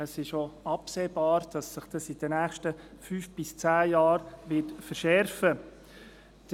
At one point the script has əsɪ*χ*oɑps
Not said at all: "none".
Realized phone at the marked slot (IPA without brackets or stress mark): ʃ